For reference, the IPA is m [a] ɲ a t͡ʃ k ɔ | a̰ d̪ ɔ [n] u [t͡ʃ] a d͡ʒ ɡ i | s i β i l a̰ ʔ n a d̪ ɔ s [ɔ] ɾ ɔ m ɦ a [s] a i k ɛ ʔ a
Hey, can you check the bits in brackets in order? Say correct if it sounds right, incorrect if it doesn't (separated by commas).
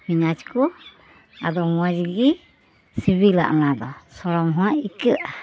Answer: incorrect, incorrect, incorrect, correct, incorrect